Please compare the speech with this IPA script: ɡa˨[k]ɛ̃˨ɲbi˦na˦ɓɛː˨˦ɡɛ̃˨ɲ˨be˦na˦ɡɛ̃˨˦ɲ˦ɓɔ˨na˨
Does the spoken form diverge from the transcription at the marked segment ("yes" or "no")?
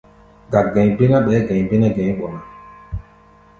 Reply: yes